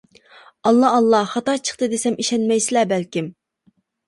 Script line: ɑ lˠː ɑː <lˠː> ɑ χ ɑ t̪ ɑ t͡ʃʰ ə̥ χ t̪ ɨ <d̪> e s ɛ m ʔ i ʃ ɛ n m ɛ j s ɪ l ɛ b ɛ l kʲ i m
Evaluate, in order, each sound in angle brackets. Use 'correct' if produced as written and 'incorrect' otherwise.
correct, correct

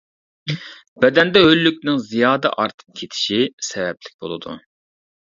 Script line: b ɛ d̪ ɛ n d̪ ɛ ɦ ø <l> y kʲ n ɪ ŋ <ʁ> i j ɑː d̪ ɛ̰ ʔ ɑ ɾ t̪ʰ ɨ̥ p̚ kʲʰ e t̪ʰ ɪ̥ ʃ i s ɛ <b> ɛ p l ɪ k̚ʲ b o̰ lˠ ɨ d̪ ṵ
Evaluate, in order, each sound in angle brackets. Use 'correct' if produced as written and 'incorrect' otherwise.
incorrect, incorrect, incorrect

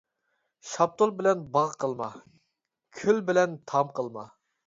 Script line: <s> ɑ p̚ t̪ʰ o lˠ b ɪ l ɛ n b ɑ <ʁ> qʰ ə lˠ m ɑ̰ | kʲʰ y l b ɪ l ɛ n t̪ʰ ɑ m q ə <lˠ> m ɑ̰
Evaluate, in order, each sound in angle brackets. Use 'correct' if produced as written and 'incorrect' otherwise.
incorrect, correct, correct

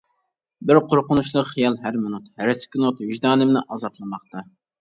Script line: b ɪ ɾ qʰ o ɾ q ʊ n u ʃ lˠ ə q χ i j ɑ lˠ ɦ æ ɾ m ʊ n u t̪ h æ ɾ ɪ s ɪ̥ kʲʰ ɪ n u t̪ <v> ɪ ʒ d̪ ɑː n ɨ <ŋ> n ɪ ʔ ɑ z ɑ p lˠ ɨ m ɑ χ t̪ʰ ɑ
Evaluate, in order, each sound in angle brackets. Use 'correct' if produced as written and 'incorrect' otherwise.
correct, incorrect

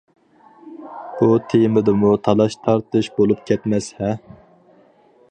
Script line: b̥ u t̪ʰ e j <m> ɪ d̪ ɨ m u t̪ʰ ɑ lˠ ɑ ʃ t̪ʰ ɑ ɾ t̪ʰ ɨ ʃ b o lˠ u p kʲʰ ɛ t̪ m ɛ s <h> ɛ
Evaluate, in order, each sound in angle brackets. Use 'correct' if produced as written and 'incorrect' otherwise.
correct, correct

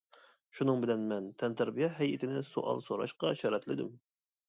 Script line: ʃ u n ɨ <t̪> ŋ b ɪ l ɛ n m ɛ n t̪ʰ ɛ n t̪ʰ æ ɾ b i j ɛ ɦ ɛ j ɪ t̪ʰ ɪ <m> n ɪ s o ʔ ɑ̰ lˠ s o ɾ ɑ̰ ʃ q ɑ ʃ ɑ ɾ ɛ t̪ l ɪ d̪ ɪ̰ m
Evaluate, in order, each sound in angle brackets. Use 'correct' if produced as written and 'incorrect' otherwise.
incorrect, incorrect

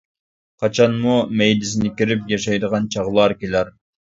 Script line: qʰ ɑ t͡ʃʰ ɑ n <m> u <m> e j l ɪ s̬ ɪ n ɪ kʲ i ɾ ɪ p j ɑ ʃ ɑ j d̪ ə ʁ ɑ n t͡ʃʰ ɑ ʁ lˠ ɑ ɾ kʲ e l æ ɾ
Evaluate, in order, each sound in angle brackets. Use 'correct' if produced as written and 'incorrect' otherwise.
correct, correct

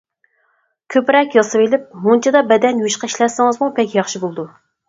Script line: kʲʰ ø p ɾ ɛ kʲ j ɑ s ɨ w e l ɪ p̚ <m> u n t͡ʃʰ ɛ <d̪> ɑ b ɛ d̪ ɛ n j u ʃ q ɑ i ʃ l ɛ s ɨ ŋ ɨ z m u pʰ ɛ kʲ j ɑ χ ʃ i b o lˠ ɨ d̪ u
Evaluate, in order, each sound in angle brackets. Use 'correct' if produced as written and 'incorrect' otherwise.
correct, correct

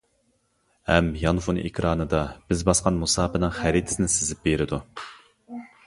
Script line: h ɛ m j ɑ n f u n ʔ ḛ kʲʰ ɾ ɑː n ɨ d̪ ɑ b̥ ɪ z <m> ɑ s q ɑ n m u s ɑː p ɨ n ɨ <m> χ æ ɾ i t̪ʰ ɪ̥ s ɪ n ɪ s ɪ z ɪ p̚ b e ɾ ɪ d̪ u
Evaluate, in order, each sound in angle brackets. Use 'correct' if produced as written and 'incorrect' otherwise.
incorrect, incorrect

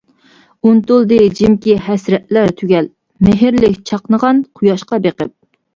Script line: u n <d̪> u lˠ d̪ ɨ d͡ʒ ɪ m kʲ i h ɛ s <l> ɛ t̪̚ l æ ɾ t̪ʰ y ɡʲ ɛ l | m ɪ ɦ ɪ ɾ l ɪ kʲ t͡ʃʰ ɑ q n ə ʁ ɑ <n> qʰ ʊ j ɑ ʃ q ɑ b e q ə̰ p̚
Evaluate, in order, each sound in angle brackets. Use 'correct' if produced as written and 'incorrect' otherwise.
incorrect, incorrect, correct

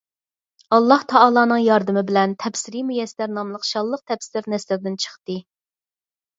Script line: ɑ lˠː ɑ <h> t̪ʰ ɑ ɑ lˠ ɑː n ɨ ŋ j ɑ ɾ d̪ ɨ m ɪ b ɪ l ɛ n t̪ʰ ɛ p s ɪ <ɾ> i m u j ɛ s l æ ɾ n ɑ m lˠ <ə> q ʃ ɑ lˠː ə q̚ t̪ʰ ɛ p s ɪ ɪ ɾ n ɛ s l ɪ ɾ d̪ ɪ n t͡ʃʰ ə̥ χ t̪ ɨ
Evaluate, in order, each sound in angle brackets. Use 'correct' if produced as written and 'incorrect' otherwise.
correct, correct, correct

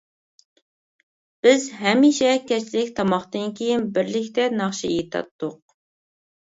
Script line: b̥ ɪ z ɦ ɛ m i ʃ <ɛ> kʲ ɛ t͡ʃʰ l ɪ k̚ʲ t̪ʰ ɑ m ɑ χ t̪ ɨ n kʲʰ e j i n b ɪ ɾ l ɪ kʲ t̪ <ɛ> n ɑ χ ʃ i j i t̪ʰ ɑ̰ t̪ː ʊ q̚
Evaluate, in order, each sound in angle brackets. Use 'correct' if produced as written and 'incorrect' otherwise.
correct, correct

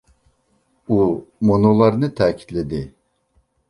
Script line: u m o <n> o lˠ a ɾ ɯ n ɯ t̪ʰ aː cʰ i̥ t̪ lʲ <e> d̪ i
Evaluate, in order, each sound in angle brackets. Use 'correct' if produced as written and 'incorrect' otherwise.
correct, correct

